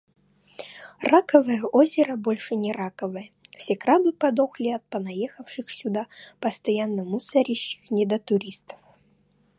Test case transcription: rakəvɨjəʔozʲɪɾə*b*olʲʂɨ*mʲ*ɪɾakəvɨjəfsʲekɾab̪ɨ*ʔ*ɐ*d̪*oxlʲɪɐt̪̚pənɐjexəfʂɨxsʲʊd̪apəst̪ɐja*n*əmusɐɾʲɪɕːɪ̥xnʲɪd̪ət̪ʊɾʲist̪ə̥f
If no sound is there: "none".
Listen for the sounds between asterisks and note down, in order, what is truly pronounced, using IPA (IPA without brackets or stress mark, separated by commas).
b, nʲ, p, d̪, nː